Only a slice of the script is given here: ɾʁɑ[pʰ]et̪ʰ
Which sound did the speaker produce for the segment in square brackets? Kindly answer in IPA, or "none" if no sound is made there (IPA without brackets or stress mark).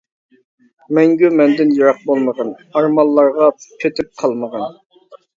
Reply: pʰ